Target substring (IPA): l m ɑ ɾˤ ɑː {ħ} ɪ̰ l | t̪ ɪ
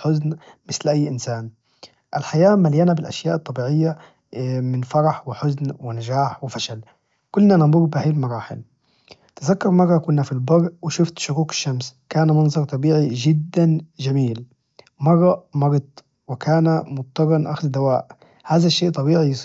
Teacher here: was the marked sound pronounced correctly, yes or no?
yes